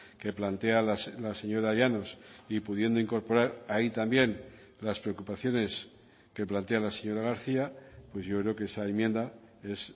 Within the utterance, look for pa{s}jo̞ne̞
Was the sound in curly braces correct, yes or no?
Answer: no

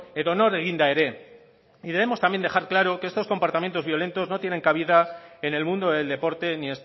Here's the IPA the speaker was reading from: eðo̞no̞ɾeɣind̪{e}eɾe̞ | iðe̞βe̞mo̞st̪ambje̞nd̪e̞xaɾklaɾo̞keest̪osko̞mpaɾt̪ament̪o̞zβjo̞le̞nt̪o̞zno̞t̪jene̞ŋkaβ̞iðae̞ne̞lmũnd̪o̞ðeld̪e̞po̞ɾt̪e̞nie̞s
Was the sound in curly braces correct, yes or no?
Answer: no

